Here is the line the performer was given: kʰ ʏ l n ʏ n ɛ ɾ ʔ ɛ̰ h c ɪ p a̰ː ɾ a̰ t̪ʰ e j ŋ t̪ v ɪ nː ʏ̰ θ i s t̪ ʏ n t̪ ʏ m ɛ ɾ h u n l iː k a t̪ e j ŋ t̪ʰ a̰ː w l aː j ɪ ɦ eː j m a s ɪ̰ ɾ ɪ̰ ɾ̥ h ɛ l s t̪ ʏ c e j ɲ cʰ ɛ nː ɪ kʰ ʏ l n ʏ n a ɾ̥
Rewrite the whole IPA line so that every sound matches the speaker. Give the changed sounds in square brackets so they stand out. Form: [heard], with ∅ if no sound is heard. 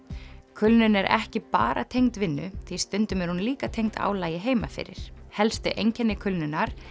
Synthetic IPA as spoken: kʰ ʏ l n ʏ n ɛ ɾ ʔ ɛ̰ h c ɪ p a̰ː ɾ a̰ t̪ʰ e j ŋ t̪ v ɪ nː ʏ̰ θ i s t̪ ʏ n t̪ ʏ m ɛ ɾ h u n l iː k a [t̪ʰ] e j ŋ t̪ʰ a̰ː w l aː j ɪ ɦ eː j m a [f] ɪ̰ ɾ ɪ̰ ɾ̥ h ɛ l s t̪ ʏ [ʔ] e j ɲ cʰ ɛ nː ɪ kʰ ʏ l n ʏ n a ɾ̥